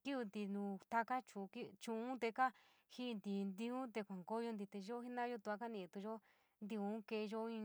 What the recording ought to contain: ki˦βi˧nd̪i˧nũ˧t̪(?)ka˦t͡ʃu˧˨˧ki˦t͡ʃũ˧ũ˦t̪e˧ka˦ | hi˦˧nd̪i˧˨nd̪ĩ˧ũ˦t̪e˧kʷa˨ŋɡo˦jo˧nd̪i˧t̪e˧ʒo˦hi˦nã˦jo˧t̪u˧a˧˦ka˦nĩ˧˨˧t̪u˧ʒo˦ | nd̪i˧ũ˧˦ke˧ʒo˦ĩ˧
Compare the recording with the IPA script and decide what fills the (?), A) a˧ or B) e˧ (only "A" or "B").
A